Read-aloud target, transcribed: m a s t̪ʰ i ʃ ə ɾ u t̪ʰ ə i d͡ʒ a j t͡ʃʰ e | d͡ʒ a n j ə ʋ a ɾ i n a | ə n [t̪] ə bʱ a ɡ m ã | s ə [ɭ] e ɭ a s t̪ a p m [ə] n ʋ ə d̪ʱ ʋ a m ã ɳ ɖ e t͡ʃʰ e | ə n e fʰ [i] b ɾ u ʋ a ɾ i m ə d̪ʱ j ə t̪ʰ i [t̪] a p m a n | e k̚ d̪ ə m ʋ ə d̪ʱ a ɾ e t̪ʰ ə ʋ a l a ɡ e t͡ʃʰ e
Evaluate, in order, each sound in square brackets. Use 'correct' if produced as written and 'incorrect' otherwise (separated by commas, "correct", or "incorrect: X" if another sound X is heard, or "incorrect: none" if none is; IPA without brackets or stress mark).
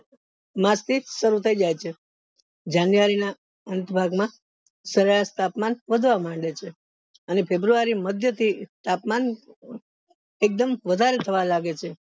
correct, incorrect: ɾ, incorrect: a, incorrect: e, correct